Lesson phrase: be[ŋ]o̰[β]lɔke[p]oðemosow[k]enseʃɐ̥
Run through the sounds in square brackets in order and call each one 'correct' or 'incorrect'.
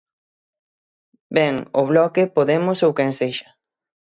correct, correct, correct, correct

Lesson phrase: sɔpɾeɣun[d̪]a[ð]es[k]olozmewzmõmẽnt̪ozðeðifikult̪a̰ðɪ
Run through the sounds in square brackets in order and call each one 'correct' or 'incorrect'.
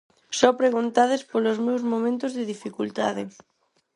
incorrect: t̪, correct, incorrect: p

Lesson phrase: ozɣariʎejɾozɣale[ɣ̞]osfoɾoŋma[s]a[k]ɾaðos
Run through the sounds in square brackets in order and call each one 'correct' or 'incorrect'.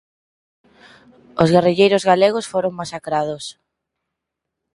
correct, correct, correct

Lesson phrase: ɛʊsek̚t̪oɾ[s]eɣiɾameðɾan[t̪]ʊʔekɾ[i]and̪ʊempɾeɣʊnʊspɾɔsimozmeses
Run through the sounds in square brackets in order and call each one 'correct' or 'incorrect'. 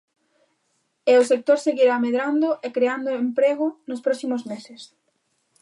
correct, incorrect: d̪, incorrect: e

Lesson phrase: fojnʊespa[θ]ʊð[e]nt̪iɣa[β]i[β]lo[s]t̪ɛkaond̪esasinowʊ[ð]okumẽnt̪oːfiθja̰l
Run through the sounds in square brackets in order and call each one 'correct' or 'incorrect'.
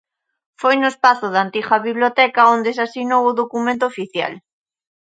correct, incorrect: a, correct, correct, incorrect: none, correct

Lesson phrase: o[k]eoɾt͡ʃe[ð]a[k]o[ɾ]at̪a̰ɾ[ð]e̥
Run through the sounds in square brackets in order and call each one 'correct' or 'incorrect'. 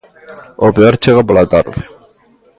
incorrect: p, incorrect: ɣ, incorrect: p, incorrect: l, correct

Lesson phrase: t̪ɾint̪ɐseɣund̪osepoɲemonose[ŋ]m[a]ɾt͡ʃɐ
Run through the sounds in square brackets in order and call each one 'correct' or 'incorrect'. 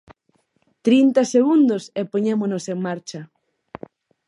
correct, correct

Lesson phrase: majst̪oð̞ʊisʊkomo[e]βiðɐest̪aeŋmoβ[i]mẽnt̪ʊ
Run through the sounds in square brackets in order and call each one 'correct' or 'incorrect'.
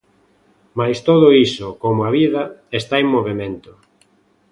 incorrect: a, incorrect: e

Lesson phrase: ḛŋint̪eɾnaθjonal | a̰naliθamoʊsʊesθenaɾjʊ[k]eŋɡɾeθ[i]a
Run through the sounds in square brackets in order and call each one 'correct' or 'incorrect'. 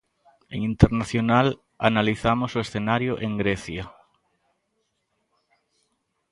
incorrect: ʔ, incorrect: j

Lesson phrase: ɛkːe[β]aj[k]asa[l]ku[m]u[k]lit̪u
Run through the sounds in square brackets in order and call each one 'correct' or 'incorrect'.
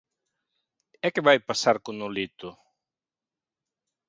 incorrect: v, incorrect: p, incorrect: ɾ, incorrect: n, incorrect: none

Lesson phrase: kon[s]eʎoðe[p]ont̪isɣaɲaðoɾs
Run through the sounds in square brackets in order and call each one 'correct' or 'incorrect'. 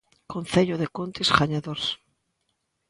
incorrect: θ, incorrect: k

